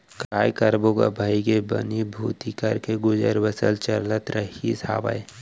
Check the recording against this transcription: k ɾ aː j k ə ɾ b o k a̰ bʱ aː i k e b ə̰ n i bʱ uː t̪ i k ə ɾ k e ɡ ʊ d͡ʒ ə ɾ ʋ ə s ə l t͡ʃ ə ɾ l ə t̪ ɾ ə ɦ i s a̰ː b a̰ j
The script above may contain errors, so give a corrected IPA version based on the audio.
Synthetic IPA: k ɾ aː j k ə ɾ b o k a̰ bʱ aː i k e b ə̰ n i bʱ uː t̪ i k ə ɾ k e ɡ ʊ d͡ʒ ə ɾ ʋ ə s ə l t͡ʃ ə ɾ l ə t̪ ɾ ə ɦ i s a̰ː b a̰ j